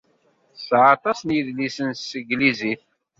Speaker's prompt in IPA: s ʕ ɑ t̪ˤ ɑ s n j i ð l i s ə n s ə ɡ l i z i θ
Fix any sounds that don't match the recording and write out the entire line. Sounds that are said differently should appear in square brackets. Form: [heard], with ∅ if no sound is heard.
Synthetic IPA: s ʕ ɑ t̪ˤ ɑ s n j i ð l i s ə n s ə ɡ l i z i θ